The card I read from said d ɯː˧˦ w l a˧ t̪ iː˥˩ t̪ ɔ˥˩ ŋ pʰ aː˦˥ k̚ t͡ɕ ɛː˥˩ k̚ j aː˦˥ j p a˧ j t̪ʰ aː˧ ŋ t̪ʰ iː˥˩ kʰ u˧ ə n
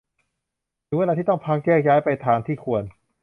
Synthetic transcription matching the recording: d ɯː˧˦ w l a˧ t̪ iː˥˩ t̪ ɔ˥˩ ŋ pʰ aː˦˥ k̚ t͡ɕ ɛː˥˩ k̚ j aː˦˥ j p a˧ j t̪ʰ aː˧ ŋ t̪ʰ iː˥˩ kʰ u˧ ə n